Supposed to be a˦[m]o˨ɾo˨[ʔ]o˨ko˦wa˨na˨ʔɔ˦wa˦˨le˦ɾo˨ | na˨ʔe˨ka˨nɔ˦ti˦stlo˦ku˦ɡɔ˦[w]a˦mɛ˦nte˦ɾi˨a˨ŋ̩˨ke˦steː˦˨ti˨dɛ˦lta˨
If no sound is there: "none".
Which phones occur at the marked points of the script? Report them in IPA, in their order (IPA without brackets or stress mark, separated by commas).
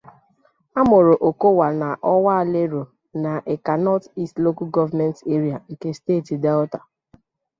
m, ʔ, v